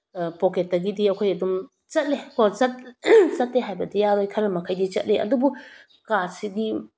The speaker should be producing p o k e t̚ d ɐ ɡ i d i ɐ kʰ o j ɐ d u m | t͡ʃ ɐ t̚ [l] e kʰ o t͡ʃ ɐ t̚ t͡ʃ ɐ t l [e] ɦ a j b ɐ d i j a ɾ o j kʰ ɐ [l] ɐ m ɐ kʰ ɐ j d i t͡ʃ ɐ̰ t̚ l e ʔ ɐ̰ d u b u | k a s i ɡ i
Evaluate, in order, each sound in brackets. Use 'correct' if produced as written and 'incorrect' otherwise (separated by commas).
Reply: correct, correct, incorrect